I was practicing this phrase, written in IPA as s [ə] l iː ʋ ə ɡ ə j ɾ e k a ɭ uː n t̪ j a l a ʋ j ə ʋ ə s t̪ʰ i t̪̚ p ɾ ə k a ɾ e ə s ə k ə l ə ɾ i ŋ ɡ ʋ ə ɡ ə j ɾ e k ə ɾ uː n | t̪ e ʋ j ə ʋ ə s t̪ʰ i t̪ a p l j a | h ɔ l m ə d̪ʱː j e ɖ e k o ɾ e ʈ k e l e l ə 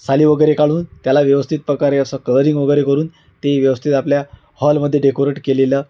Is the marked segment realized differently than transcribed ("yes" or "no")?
yes